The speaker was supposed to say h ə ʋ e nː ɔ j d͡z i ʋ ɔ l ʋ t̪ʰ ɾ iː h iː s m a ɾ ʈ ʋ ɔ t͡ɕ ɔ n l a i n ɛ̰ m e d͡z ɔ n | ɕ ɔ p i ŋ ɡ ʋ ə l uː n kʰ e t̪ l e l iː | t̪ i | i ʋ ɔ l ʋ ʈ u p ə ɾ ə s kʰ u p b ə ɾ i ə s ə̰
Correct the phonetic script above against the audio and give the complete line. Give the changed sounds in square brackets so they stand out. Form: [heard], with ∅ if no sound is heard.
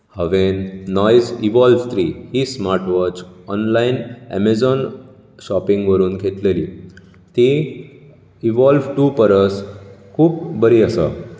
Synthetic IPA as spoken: h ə ʋ e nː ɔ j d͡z i ʋ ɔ l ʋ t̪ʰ ɾ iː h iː s m a ɾ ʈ ʋ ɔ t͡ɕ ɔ n l a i n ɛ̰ m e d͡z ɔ n | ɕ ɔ p i ŋ ɡ ʋ ə [ɾ] uː n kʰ e t̪ l e l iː | t̪ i | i ʋ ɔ l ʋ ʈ u p ə ɾ ə s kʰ [uː] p b ə ɾ i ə s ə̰